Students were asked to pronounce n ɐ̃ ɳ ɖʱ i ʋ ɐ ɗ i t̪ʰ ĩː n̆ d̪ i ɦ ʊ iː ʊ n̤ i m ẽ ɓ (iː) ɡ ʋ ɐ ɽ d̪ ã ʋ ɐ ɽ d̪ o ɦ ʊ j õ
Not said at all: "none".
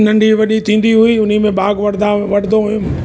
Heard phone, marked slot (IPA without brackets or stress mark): aː